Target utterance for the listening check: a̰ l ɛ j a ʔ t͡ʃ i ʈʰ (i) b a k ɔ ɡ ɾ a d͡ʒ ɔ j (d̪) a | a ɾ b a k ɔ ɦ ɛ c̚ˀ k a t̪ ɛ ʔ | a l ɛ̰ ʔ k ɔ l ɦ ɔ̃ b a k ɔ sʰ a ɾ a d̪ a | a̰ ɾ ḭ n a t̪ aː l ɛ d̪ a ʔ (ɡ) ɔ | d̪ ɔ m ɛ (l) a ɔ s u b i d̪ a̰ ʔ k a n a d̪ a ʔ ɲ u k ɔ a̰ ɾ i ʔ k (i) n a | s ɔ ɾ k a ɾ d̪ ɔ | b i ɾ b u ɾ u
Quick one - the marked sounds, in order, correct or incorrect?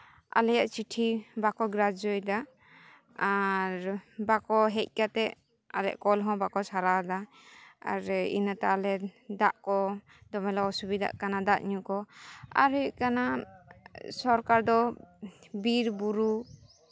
correct, correct, incorrect, correct, incorrect

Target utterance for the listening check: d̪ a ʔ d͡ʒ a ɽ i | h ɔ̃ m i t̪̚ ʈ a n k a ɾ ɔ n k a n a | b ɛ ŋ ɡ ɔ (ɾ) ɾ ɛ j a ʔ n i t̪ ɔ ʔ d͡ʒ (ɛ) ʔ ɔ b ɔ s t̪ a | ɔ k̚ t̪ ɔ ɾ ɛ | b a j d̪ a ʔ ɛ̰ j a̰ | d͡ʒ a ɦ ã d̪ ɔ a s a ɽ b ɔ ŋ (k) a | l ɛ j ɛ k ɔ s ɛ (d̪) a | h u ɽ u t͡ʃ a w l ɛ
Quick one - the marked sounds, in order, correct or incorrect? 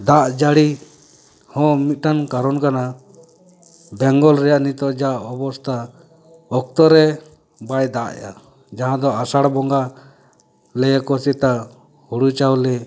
incorrect, incorrect, incorrect, incorrect

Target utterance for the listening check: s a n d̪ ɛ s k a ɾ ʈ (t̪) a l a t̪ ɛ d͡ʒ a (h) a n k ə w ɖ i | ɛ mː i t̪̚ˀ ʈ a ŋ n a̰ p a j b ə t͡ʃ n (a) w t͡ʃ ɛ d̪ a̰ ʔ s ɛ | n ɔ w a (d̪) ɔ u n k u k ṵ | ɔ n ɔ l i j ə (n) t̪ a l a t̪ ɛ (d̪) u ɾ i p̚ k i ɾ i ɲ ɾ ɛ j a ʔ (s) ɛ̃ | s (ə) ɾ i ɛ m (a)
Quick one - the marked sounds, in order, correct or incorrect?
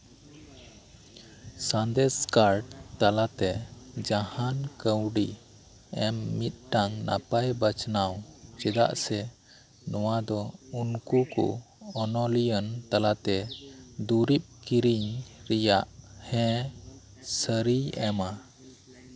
correct, correct, correct, correct, correct, correct, incorrect, correct, correct

